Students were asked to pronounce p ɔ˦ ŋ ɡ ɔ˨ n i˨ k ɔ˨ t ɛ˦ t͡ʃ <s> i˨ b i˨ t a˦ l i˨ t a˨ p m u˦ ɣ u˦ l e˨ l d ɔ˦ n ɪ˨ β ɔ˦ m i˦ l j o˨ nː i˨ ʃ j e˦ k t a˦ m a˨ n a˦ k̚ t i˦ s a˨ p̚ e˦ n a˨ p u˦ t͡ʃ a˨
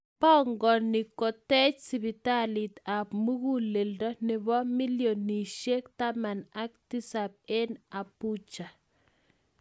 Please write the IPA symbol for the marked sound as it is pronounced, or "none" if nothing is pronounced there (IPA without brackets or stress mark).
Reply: s